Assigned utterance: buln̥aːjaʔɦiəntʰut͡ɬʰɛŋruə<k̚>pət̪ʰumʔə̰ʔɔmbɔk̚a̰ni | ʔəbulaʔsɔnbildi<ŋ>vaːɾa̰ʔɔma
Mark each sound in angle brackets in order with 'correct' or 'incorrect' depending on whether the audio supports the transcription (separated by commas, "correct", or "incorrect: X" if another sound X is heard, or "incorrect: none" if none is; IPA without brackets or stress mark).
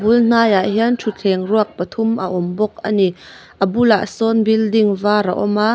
correct, correct